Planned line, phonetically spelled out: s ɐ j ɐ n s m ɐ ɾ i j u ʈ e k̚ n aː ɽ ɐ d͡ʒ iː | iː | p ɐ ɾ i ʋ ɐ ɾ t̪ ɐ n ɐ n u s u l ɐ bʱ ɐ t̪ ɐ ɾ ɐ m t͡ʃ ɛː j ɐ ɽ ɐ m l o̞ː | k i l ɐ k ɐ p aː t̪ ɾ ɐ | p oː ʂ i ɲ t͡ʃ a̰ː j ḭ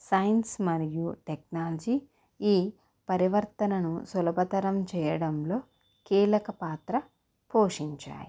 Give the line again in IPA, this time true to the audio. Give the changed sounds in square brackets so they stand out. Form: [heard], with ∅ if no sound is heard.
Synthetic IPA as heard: s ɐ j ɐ n s m ɐ ɾ i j u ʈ e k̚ n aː [l] ɐ d͡ʒ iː | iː | p ɐ ɾ i ʋ ɐ ɾ t̪ ɐ n ɐ n u s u l ɐ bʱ ɐ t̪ ɐ ɾ ɐ m t͡ʃ ɛː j ɐ ɽ ɐ m l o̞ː | k [iː] l ɐ k ɐ p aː t̪ ɾ ɐ | p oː ʂ i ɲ t͡ʃ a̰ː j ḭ